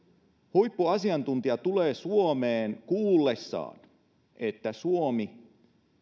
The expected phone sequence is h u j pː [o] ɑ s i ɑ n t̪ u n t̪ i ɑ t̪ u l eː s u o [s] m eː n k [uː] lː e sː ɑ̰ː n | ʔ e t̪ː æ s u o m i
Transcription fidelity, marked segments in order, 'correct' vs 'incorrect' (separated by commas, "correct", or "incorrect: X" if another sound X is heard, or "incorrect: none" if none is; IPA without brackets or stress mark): incorrect: u, incorrect: none, correct